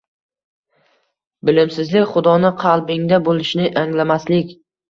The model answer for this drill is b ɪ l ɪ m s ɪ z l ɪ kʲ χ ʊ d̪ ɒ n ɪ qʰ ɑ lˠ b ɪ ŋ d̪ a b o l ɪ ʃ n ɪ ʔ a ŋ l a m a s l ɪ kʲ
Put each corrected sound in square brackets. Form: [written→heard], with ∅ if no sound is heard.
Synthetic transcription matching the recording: b ɪ l ɪ m s ɪ z l ɪ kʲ χ ʊ d̪ ɒ n ɪ qʰ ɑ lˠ b ɪ ŋ d̪ a b o l ɪ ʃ n ɪ ʔ a ŋ l a m a s l ɪ kʲ